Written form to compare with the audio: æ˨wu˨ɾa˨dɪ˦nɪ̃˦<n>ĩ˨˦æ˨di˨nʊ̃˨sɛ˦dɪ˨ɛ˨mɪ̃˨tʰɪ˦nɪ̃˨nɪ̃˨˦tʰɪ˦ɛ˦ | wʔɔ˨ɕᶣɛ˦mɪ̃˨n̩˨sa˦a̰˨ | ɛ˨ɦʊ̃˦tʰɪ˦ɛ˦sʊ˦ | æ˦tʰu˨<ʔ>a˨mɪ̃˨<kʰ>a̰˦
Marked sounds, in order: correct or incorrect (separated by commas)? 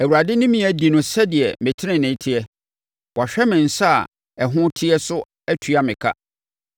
incorrect, incorrect, correct